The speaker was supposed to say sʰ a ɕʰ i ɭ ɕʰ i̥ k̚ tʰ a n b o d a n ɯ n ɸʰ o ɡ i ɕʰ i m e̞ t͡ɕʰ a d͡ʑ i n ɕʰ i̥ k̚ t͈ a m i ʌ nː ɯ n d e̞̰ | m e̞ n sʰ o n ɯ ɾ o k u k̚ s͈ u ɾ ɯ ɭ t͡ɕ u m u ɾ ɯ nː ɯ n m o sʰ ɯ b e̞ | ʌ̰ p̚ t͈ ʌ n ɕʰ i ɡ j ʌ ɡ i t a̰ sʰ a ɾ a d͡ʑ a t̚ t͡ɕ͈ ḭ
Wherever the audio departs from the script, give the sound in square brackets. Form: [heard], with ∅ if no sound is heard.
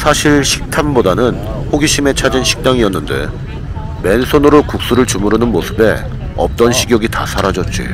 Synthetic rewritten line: sʰ a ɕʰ i ɭ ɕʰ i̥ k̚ tʰ a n b o d a n ɯ n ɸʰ o ɡ i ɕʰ i m e̞ t͡ɕʰ a d͡ʑ i n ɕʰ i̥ k̚ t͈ a [ŋ] i ʌ nː ɯ n d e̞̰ | m e̞ n sʰ o n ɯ ɾ o k u k̚ s͈ u ɾ ɯ ɭ t͡ɕ u m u ɾ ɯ [n] ɯ n m o sʰ ɯ b e̞ | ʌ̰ p̚ t͈ ʌ n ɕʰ i ɡ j ʌ ɡ i t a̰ sʰ a ɾ a d͡ʑ [ʌ] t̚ t͡ɕ͈ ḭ